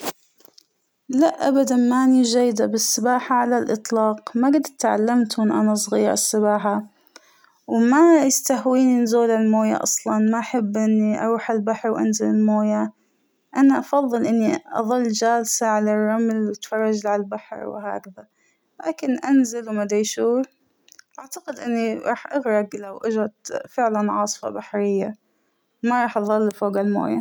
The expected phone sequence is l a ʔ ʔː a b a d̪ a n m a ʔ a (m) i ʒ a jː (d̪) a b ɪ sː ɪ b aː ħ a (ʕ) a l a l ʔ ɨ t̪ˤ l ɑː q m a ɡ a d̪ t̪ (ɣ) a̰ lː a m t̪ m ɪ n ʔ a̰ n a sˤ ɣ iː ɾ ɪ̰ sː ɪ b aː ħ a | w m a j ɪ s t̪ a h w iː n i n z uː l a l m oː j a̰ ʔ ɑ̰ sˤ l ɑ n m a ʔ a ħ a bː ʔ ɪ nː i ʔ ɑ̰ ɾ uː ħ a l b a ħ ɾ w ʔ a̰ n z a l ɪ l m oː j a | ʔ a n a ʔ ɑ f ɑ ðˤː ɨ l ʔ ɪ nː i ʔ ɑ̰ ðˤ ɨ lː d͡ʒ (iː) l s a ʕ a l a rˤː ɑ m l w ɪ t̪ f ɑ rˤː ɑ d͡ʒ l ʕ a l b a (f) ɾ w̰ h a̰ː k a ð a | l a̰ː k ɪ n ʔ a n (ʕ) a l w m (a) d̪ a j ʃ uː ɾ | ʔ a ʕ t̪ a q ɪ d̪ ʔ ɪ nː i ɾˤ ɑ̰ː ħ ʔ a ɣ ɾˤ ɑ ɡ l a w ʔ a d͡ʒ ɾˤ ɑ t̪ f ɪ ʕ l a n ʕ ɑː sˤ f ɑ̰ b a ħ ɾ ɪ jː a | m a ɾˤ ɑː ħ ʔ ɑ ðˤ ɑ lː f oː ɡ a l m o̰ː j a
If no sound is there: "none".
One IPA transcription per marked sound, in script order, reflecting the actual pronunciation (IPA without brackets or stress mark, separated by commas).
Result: n, d̪, ʕ, ʕ, aː, ħ, z, a